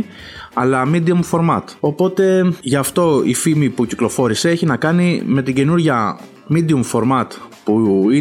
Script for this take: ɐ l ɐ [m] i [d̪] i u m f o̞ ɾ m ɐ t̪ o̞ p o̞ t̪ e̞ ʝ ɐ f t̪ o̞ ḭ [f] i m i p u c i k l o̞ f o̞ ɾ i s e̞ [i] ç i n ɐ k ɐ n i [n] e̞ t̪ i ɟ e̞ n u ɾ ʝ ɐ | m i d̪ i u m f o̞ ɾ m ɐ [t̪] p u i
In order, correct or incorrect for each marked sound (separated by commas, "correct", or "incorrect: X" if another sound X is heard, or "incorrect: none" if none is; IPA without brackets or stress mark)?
correct, correct, correct, incorrect: e, incorrect: m, correct